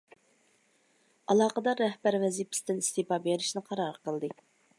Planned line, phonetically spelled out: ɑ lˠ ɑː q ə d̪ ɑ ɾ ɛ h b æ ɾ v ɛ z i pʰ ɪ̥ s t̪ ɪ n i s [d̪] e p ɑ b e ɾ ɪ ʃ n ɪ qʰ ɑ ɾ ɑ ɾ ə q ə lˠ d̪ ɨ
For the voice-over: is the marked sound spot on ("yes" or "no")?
no